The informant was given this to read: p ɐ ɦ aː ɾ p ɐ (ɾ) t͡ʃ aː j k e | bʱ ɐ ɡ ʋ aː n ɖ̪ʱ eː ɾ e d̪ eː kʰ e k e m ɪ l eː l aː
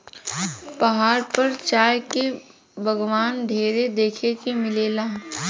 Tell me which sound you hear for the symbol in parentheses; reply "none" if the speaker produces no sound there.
ɾ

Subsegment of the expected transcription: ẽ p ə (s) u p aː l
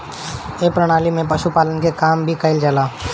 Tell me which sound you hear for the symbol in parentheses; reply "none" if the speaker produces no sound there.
ʃ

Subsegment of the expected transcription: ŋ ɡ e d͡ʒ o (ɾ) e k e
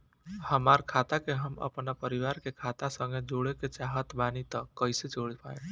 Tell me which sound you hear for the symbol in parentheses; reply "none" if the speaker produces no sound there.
ɽ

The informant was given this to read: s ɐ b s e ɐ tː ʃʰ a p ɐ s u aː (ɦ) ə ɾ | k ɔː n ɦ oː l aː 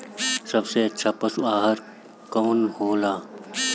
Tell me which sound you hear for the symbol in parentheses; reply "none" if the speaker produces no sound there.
ɦ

